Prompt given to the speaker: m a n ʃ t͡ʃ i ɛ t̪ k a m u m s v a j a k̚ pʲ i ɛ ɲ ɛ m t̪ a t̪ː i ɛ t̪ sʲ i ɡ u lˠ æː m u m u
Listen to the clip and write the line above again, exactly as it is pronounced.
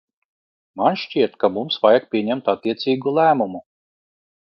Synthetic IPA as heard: m a n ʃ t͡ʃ i ɛ t̪ k a m u m s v a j a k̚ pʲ i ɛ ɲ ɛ m t̪ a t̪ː i ɛ t̪ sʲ iː ɡ u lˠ æː m u m u